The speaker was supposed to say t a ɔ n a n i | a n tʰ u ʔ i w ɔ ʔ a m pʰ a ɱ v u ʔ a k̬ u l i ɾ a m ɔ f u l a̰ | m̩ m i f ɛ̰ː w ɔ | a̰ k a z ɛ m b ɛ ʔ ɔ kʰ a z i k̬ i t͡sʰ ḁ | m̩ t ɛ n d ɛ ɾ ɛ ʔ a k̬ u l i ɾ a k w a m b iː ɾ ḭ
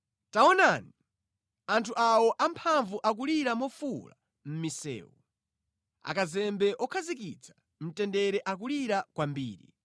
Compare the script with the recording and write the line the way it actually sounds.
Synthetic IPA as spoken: t a ɔ n a n i | a n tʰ u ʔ a w ɔ ʔ a m pʰ a ɱ v u ʔ a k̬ u l i ɾ a m ɔ f u l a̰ | m̩ m i s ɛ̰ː w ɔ | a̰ k a z ɛ m b ɛ ʔ ɔ kʰ a z i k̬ i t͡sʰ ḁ | m̩ t ɛ n d ɛ ɾ ɛ ʔ a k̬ u l i ɾ a k w a m b iː ɾ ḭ